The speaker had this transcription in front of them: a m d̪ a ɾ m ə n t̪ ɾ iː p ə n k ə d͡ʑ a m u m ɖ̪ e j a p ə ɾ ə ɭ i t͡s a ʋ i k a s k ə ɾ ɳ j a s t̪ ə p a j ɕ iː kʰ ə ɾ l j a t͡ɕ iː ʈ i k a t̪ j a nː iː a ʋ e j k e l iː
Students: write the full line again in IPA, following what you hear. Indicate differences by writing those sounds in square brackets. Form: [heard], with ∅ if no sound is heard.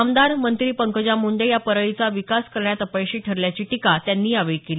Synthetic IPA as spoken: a m d̪ a ɾ m ə n t̪ ɾ iː p ə [ŋ] k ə d͡ʑ a m u [ɳ] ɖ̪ e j a p ə ɾ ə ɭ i t͡s a ʋ i k a s k ə ɾ ɳ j a [∅] t̪ ə p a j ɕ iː [ʈʰ] ə ɾ l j a t͡ɕ iː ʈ i k a t̪ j a nː iː a ʋ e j k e l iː